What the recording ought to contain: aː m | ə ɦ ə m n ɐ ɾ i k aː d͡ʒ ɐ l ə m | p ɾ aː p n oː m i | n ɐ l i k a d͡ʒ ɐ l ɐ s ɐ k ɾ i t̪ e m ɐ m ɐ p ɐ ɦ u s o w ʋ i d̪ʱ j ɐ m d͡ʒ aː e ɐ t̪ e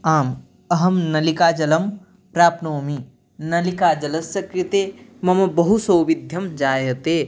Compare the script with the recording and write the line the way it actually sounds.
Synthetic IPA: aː m | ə ɦ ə m n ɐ l i k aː d͡ʒ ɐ l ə m | p ɾ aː p n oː m i | n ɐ l i k a d͡ʒ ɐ l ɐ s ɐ k ɾ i t̪ e m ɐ m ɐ b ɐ ɦ u s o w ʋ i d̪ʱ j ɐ m d͡ʒ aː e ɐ t̪ e